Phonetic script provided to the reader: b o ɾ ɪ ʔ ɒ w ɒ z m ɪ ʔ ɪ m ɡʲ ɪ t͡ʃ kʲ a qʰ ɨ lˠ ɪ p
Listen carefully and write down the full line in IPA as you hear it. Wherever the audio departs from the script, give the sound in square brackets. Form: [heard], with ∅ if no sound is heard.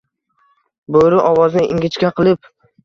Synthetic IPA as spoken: b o ɾ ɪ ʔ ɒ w ɒ z [n] ɪ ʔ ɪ [ŋ] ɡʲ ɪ t͡ʃ kʲ a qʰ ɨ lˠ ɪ p